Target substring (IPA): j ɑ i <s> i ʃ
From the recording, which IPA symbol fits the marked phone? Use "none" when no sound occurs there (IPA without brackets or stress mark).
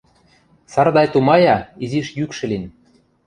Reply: z